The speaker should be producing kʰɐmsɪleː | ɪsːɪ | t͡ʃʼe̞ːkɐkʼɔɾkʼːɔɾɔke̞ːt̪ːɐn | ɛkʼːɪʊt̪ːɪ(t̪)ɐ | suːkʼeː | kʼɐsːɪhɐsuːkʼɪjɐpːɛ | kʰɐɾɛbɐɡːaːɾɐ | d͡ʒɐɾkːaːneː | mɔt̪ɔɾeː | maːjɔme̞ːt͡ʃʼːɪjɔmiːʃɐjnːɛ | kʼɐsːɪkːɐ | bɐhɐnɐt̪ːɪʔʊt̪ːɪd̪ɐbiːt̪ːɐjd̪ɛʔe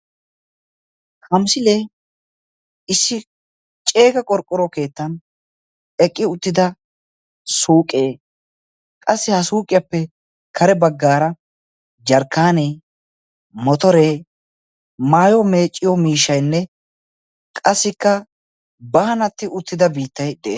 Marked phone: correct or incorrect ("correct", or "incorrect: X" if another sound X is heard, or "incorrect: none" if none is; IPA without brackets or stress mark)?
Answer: incorrect: d̪